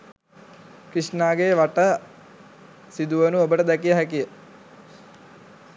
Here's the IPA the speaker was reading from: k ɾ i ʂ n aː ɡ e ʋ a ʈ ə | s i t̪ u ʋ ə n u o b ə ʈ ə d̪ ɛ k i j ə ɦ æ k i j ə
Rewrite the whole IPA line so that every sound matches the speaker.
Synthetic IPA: k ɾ i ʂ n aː ɡ e ʋ a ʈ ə | s i d̪ u ʋ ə n u o b ə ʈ ə d̪ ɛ k i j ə ɦ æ k i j ə